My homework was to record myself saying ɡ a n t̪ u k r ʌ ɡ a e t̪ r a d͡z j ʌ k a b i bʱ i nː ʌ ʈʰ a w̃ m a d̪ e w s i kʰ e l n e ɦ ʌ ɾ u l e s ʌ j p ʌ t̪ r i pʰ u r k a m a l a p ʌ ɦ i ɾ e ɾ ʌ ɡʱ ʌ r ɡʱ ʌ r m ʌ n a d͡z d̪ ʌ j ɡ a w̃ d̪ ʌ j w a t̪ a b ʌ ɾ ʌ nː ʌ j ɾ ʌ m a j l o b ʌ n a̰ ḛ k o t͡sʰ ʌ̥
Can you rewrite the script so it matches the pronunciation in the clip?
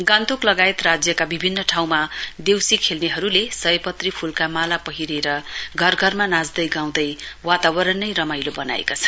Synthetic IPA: ɡ a n t̪ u k l ʌ ɡ a e t̪ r a d͡z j ʌ k a b i bʱ i nː ʌ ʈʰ a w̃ m a d̪ e w s i kʰ e l n e ɦ ʌ ɾ u l e s ʌ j p ʌ t̪ r i pʰ u l k a m a l a p ʌ ɦ i ɾ e ɾ ʌ ɡʱ ʌ r ɡʱ ʌ r m a n a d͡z d̪ ʌ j ɡ a w̃ d̪ ʌ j w a t̪ a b ʌ ɾ ʌ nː ʌ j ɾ ʌ m a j l o b ʌ n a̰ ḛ k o t͡sʰ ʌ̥